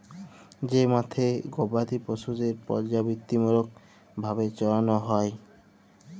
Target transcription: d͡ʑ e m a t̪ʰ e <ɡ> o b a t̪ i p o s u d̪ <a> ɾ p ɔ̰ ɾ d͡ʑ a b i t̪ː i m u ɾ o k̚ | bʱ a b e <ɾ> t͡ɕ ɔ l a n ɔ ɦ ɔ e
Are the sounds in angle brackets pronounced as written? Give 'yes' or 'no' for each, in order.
yes, no, no

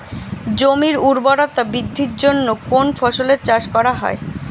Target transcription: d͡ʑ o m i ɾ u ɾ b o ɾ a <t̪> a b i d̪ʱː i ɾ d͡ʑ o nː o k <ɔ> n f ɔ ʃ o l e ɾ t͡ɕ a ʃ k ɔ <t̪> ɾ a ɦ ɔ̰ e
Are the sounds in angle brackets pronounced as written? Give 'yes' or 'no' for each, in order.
yes, no, no

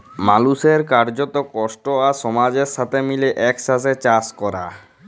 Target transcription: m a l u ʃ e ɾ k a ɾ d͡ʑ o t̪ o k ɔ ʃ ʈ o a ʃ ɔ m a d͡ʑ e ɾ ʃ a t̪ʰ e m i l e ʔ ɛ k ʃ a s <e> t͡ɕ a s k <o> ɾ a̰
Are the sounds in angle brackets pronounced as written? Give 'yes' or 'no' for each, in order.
yes, no

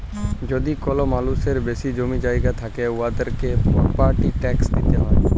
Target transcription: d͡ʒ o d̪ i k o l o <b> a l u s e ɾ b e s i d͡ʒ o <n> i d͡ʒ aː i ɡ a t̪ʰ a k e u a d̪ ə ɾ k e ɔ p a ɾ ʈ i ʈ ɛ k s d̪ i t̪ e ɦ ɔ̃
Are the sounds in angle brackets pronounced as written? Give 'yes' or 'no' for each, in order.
no, no

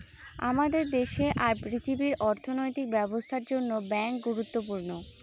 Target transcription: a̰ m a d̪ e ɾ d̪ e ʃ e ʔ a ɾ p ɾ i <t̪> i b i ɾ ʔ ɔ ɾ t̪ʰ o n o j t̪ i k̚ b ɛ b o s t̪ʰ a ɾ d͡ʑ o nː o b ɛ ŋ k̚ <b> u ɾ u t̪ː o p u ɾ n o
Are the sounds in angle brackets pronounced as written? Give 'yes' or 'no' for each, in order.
no, no

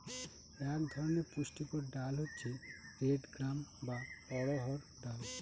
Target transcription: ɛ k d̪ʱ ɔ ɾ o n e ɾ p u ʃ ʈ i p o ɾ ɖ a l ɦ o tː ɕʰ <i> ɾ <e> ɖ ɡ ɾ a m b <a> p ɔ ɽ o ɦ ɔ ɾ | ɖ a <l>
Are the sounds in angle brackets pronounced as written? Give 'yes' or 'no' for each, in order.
no, yes, yes, yes

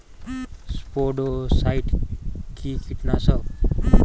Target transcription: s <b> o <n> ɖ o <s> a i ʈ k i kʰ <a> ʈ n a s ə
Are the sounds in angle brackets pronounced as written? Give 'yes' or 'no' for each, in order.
no, no, yes, no

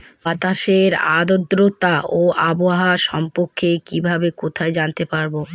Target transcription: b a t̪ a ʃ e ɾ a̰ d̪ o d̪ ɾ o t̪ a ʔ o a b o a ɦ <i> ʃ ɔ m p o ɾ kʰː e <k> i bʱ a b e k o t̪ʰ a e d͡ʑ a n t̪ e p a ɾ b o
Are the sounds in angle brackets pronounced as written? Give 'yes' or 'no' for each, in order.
no, yes

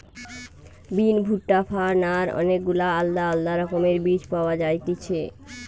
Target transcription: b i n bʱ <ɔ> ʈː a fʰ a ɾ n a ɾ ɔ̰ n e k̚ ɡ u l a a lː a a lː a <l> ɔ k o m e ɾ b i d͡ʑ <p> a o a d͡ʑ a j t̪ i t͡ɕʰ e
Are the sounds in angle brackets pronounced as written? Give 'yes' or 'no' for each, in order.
no, no, yes

